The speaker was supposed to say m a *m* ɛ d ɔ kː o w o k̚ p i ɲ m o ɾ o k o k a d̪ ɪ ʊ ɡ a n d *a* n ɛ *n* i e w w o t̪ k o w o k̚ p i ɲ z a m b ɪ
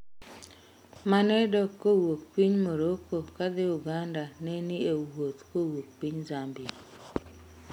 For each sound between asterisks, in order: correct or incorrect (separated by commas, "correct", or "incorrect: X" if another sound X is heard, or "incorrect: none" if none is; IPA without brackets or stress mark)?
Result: incorrect: n, correct, correct